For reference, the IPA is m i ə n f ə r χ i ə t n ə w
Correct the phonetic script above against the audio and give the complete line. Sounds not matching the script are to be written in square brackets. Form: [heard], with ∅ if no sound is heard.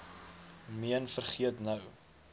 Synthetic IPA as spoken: m i ə n f ə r χ i ə t n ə w